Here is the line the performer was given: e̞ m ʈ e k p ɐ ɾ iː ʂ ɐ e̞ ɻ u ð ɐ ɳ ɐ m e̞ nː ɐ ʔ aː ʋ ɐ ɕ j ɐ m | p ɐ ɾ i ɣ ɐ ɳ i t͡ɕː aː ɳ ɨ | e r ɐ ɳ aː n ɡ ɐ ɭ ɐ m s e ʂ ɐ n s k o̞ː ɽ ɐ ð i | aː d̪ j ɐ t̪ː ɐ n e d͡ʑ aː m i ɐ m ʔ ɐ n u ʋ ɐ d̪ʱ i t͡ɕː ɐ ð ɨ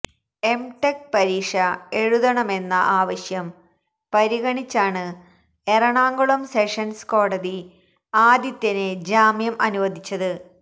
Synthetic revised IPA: e̞ m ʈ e k p ɐ ɾ iː ʂ ɐ e̞ ɻ u ð ɐ ɳ ɐ m e̞ nː ɐ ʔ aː ʋ ɐ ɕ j ɐ m | p ɐ ɾ i ɣ ɐ ɳ i t͡ɕː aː ɳ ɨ | e r ɐ ɳ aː ŋ ɡ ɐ ɭ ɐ m s e ʂ ɐ n s k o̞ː ɽ ɐ ð i | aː d̪ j ɐ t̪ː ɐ n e d͡ʑ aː m j ɐ m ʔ ɐ n u ʋ ɐ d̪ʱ i t͡ɕː ɐ ð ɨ